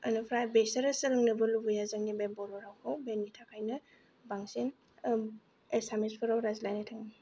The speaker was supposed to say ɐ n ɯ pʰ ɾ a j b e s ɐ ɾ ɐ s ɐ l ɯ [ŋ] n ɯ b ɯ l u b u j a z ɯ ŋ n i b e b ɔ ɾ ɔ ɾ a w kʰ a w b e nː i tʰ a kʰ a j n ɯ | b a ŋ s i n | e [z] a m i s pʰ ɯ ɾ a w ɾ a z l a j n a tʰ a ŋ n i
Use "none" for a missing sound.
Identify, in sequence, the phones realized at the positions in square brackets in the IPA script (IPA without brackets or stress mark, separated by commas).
ŋ, s